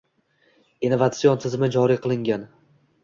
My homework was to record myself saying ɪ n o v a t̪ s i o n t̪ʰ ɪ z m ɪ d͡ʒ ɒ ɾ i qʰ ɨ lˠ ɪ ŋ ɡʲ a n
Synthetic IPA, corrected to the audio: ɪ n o v a t̪ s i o n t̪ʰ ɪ z m ɪ d͡ʒ ɒ ɾ i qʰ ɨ lˠ ɪ ŋ ɡʲ a n